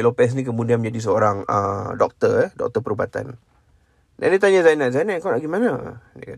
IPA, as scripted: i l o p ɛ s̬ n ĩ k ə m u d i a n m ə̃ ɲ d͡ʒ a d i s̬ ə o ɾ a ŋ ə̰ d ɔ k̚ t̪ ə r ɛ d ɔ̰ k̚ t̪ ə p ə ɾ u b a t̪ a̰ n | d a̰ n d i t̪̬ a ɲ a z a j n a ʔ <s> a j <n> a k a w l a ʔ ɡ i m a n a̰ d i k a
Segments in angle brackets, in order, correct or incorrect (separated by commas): incorrect, correct